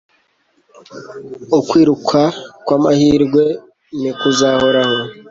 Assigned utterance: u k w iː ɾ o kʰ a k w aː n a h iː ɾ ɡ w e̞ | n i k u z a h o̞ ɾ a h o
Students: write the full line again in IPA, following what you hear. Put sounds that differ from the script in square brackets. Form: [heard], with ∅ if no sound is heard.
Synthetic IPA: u k w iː ɾ [u] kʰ a k w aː [m] a h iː ɾ ɡ w e̞ | n i k u z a h o̞ ɾ a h o